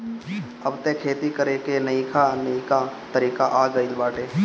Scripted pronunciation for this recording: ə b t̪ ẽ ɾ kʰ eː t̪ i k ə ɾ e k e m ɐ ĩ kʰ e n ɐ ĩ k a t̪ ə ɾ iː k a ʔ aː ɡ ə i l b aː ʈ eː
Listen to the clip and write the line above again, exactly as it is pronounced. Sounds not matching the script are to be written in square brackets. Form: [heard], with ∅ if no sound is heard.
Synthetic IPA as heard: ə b t̪ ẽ [∅] kʰ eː t̪ i k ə ɾ e k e [n] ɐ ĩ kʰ [a] n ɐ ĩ k a t̪ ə ɾ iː k a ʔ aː ɡ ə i l b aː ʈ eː